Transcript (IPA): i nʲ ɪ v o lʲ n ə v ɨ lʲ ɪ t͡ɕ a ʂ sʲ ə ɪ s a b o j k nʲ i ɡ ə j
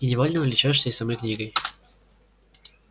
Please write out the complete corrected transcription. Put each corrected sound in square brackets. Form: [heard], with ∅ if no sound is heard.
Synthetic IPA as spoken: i nʲ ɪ v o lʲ n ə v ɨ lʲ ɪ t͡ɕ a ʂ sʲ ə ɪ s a [m] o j k nʲ i ɡ ə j